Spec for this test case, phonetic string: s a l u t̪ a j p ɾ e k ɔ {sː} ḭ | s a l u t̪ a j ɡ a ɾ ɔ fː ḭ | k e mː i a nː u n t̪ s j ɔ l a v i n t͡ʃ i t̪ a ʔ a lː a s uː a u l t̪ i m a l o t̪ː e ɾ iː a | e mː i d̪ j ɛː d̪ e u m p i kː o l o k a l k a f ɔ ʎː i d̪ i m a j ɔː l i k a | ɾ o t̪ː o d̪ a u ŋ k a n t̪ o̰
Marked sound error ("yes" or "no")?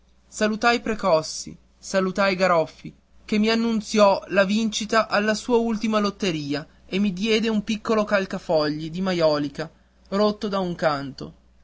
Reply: no